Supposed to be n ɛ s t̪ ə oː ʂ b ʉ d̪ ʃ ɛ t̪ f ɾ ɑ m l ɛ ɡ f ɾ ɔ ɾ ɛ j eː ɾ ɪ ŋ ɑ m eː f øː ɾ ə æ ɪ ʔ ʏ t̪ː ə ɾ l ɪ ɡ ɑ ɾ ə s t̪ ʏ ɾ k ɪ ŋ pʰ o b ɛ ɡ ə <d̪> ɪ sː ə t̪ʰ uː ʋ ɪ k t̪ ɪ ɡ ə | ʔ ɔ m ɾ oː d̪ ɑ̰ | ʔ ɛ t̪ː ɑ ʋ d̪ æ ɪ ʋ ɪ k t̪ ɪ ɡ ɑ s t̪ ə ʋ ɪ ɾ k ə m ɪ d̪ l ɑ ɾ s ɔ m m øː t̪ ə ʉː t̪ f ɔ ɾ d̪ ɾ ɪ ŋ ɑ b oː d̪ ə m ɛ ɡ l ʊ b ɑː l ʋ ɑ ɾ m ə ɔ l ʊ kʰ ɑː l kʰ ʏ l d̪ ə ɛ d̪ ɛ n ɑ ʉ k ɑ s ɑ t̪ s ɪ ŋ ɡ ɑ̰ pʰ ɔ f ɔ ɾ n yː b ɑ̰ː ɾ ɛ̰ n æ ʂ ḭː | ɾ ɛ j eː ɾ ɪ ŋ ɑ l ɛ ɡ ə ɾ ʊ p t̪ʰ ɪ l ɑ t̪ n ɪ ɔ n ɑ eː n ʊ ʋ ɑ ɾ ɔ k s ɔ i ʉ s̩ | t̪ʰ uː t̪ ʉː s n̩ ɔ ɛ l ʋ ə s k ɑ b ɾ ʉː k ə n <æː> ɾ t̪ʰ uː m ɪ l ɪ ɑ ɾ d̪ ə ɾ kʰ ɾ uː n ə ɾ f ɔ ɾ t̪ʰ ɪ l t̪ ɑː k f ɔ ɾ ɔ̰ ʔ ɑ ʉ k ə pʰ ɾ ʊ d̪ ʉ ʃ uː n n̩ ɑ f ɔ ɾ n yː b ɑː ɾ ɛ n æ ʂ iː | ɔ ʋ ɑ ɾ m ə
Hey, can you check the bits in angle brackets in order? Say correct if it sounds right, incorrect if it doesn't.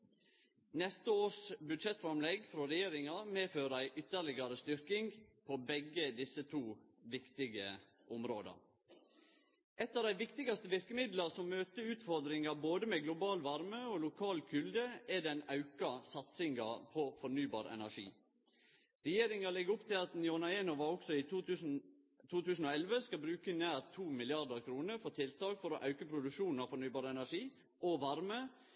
correct, correct

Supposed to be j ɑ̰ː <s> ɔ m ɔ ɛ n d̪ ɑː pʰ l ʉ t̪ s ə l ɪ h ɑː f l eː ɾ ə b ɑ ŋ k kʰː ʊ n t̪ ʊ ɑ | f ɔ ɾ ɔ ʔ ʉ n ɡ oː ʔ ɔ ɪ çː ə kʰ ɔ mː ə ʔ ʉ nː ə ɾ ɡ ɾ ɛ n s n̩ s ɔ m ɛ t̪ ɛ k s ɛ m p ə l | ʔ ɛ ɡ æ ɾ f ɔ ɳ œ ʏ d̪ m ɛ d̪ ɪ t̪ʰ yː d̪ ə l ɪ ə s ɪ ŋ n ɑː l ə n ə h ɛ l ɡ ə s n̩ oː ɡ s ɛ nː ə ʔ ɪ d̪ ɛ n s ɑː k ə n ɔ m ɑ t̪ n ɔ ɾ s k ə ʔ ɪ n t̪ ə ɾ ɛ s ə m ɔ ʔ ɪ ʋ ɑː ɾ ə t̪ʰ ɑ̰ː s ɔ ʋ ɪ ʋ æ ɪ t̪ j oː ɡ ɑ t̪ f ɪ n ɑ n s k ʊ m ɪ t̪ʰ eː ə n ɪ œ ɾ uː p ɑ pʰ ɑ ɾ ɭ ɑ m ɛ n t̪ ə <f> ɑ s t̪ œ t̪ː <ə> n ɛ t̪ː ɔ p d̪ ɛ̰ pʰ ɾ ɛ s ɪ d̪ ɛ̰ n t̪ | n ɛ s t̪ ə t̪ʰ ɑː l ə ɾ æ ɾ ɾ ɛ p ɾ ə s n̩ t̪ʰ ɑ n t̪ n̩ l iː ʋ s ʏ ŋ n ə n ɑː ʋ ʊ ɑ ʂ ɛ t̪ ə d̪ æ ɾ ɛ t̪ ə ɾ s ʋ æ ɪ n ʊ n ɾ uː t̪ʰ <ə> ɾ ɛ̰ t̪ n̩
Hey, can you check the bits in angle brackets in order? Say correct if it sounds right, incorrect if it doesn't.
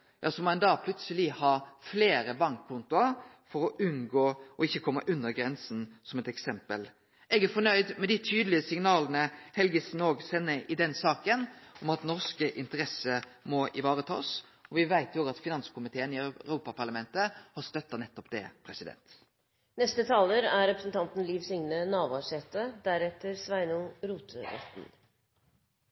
correct, incorrect: h, incorrect: ɑ, correct

